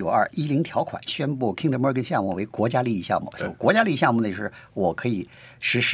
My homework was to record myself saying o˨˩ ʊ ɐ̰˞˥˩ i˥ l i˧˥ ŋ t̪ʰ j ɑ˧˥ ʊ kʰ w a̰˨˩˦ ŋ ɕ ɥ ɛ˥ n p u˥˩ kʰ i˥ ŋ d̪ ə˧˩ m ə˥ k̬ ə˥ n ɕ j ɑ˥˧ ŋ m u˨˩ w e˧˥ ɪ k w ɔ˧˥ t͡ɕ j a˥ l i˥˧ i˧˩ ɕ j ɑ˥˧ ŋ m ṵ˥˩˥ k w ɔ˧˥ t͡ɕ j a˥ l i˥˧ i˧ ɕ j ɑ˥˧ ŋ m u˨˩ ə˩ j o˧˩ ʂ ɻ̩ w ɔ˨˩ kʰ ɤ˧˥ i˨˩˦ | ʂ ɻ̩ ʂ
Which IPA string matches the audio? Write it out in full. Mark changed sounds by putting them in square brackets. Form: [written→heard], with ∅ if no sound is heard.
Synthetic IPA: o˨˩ ʊ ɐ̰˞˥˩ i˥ l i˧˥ ŋ t̪ʰ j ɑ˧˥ ʊ kʰ w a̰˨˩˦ [ŋ→n] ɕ ɥ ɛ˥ n p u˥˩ kʰ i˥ ŋ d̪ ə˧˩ m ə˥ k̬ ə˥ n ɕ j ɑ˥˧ ŋ m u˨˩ w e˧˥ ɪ k w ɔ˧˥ t͡ɕ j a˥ l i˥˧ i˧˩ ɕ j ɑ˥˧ ŋ m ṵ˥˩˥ k w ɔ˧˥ t͡ɕ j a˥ l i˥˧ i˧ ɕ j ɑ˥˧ ŋ m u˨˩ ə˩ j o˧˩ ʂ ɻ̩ w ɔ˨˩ kʰ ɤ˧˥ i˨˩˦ | ʂ ɻ̩ ʂ